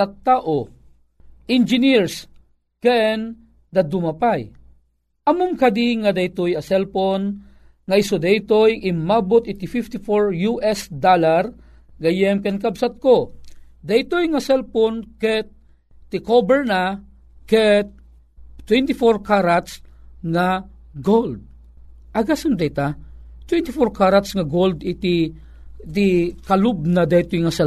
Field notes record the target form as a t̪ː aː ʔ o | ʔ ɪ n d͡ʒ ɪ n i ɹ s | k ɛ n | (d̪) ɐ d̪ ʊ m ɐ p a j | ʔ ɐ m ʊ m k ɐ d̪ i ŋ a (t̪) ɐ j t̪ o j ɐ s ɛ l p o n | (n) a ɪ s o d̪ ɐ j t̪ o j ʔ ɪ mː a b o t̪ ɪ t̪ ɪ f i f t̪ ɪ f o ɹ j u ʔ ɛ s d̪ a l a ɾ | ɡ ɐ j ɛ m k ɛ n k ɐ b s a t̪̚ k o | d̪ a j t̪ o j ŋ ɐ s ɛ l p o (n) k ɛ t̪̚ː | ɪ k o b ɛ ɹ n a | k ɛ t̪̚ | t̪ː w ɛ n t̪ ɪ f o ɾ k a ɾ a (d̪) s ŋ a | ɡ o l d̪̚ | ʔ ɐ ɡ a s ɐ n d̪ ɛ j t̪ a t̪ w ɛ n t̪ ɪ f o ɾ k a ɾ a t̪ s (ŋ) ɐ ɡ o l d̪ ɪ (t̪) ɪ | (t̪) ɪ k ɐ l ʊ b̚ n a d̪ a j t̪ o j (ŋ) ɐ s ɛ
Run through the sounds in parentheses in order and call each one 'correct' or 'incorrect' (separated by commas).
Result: correct, incorrect, incorrect, correct, incorrect, correct, correct, correct, correct